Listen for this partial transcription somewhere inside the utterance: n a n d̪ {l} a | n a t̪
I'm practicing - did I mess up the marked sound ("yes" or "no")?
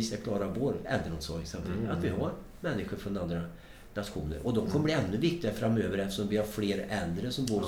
yes